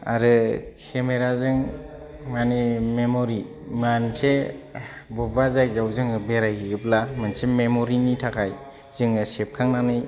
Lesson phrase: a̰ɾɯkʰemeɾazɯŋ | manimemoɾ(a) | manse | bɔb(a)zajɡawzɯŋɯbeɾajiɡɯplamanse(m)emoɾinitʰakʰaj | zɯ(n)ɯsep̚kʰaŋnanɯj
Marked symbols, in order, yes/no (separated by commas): no, yes, yes, no